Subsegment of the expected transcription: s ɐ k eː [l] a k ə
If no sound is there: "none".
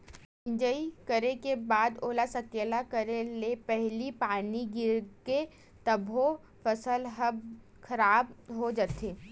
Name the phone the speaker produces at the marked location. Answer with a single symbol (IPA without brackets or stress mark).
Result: l